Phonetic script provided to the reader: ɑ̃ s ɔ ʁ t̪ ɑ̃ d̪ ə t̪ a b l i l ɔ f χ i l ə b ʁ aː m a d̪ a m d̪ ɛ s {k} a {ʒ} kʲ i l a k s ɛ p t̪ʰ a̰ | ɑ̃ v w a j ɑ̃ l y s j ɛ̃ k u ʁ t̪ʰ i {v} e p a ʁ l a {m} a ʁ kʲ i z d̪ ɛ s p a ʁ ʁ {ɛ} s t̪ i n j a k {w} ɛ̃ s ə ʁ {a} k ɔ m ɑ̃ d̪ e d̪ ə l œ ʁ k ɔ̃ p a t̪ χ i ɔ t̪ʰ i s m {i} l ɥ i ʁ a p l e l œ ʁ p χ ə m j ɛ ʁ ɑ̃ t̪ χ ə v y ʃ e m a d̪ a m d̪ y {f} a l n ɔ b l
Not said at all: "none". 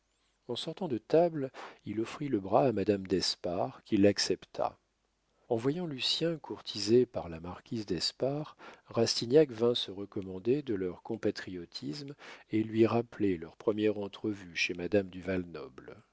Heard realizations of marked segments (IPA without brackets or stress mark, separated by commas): p, ʁ, z, m, a, v, ə, e, v